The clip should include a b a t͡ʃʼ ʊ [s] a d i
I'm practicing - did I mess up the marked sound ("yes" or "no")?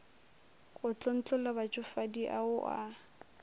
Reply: yes